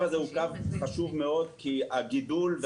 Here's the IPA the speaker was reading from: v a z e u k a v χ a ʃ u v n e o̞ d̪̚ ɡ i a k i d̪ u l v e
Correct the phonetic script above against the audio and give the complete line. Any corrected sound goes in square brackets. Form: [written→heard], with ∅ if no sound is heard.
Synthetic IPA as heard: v a z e u k a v χ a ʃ u v [n→m] e o̞ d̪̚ [ɡ→k] i a [k→ɡ] i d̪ u l v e